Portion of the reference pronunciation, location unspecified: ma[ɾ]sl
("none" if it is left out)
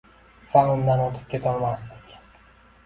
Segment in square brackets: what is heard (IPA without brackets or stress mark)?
none